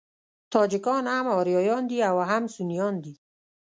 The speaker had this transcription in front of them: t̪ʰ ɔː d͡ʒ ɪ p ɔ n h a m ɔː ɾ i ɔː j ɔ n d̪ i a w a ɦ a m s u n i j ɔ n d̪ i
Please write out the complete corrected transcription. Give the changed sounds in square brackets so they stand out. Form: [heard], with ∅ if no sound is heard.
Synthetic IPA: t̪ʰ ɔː d͡ʒ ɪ [k] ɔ n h a m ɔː ɾ [j] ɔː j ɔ n d̪ i a w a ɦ a m s u n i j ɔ n d̪ i